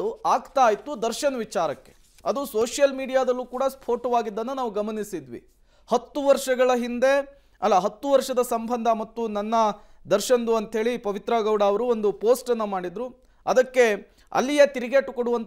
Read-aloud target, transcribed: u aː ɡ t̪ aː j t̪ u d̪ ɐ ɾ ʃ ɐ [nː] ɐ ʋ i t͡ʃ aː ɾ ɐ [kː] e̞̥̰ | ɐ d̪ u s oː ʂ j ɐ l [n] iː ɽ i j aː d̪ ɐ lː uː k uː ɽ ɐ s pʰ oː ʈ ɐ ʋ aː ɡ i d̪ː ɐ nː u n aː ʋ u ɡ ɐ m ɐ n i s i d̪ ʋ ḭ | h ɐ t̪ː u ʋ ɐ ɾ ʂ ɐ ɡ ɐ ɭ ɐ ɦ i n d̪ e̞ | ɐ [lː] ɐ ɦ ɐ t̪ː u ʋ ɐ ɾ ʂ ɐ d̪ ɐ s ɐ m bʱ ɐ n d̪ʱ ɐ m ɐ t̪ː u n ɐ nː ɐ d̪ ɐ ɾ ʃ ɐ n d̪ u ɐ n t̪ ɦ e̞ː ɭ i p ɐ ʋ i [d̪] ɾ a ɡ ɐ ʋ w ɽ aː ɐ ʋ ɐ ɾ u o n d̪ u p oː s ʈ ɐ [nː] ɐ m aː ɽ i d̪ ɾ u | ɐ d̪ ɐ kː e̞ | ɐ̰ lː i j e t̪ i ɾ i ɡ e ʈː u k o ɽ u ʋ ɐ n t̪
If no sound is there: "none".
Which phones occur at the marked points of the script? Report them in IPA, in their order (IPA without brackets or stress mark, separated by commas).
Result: n, kː, m, lː, t̪, nː